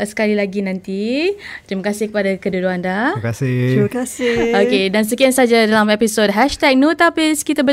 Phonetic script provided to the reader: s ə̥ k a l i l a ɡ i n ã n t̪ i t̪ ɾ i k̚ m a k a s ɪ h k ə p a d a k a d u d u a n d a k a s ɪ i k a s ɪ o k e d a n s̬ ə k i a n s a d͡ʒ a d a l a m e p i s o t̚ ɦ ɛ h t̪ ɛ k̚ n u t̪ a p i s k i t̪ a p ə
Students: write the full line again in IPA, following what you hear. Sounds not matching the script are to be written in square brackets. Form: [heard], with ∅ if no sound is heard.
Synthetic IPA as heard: s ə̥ k a l i l a ɡ i n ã n t̪ i t̪ ɾ i [∅] m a k a s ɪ h k ə p a d a k [ə] d u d u a n d a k a s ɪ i k a s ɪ o k e d a n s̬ ə k i a n s a d͡ʒ a d a l a m e p i s o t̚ ɦ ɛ [ʃ] t̪ ɛ k̚ n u t̪ a p i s k i t̪ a [b] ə